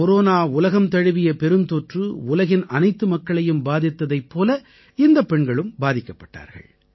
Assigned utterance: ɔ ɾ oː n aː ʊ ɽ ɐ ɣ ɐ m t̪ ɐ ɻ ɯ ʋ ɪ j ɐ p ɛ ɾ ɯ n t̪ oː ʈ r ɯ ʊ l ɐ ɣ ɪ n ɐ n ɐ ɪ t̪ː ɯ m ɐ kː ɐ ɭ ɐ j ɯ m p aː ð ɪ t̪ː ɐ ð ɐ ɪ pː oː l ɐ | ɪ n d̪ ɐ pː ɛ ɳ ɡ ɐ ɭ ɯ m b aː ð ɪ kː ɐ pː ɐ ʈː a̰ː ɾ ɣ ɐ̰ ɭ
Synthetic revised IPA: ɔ ɾ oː n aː ʊ l ɐ ɣ ɐ m t̪ ɐ ɻ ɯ ʋ ɪ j ɐ p ɛ ɾ ɯ n t̪ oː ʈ r ɯ ʊ l ɐ ɣ ɪ n ɐ n ɐ ɪ t̪ː ɯ m ɐ kː ɐ ɭ ɐ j ɯ m b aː ð ɪ t̪ː ɐ ð ɐ ɪ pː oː l ɐ | ɪ n d̪ ɐ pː ɛ ɳ ɡ ɐ ɭ ɯ m b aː ð ɪ kː ɐ pː ɐ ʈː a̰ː ɾ ɣ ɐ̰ ɭ